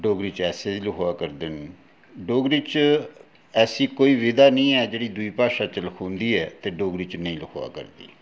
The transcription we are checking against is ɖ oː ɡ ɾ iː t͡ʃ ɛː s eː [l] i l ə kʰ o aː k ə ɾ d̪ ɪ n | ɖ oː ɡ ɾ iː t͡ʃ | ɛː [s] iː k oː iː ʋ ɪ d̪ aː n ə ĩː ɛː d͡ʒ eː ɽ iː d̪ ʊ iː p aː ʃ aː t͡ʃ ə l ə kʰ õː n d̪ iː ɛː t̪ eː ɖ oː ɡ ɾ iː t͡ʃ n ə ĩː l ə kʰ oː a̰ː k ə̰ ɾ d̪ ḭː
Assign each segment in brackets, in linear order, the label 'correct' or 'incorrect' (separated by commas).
incorrect, correct